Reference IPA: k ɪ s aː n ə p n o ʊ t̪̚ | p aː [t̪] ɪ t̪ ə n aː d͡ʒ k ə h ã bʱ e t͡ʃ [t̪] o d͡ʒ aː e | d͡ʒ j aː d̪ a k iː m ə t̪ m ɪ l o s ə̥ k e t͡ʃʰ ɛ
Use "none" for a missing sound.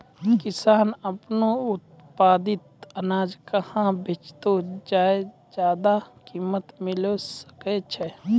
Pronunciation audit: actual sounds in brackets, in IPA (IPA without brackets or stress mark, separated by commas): d̪, t̪